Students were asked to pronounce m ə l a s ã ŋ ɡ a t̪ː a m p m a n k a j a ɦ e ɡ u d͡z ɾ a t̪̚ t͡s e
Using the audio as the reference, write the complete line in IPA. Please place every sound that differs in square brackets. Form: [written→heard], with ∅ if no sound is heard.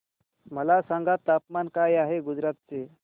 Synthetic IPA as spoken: m ə l a s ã ŋ ɡ a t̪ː a [m→∅] p m a n k a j a ɦ e ɡ u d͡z ɾ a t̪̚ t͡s e